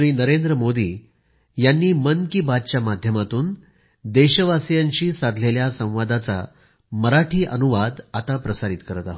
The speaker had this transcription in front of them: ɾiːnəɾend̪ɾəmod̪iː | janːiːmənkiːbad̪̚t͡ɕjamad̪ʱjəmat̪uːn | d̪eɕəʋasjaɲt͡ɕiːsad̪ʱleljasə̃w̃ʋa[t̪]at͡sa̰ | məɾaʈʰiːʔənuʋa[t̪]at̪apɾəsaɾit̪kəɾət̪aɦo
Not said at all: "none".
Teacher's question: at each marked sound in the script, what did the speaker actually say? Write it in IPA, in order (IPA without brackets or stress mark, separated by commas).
d̪, d̪